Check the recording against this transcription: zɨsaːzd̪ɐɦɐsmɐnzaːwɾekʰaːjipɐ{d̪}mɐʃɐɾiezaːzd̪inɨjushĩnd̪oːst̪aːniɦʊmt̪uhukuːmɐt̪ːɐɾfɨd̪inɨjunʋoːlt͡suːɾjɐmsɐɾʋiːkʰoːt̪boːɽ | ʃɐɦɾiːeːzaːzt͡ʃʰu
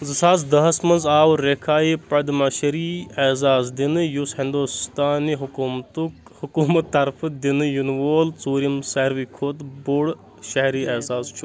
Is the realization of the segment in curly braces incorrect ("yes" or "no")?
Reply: no